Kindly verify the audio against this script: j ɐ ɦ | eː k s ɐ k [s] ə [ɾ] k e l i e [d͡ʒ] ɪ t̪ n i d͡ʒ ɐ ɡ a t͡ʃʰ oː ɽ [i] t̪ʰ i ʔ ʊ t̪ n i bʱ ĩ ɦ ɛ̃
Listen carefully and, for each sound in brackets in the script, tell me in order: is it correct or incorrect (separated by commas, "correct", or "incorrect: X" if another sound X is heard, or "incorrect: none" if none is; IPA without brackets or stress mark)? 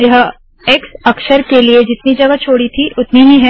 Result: incorrect: ʃ, correct, correct, correct